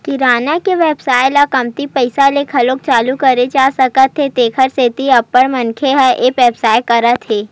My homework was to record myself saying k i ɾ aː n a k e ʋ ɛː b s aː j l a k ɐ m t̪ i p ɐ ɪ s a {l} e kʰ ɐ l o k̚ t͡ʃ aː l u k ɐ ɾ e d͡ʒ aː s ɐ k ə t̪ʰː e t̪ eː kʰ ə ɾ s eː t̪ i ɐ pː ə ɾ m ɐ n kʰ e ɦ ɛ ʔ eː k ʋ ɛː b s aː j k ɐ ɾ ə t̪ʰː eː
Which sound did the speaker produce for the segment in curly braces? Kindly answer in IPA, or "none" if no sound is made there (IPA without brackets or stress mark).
l